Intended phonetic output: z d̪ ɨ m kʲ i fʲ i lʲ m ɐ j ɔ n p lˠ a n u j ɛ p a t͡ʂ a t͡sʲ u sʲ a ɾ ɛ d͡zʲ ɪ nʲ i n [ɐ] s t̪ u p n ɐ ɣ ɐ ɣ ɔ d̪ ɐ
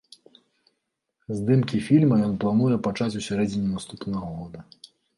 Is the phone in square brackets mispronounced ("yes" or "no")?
yes